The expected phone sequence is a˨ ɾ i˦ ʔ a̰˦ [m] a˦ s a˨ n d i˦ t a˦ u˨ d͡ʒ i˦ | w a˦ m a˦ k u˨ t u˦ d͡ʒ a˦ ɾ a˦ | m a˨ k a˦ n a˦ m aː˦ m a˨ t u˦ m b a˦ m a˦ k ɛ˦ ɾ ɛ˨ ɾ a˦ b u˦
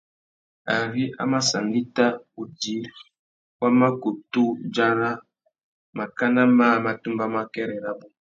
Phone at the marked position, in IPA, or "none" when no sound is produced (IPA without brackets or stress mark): m